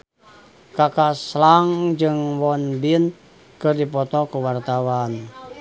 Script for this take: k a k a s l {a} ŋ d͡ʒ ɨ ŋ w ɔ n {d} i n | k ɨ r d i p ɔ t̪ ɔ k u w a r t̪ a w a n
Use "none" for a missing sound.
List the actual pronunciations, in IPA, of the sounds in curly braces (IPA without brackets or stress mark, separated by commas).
a, b